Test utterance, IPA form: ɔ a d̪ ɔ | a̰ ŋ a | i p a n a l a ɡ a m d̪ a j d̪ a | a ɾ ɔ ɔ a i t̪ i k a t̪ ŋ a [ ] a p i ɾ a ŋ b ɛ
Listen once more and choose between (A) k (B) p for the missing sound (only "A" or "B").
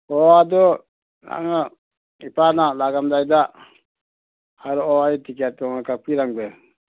A